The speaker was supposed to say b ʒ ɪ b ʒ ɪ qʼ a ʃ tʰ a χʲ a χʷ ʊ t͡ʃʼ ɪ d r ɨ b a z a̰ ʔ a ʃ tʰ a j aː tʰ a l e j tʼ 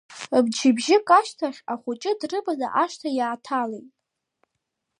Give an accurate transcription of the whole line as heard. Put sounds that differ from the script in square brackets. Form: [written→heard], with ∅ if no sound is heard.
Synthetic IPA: b [ʒ→d͡ʒ] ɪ b ʒ ɪ [qʼ→kʼ] a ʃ tʰ a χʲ a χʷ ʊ t͡ʃʼ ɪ d r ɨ b a z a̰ ʔ a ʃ tʰ a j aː tʰ a l e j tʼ